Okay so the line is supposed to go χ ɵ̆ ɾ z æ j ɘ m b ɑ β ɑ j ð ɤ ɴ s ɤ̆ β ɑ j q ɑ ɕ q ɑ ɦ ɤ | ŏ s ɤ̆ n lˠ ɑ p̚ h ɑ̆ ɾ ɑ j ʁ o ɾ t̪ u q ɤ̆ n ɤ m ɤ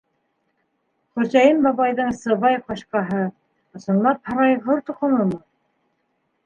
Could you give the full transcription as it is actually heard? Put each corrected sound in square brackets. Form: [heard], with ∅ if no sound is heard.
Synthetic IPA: χ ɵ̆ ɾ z æ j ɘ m b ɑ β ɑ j ð ɤ ɴ s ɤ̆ β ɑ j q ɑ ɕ q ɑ ɦ ɤ | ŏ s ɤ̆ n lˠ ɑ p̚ h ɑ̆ ɾ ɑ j ʁ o ɾ t̪ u q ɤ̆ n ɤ m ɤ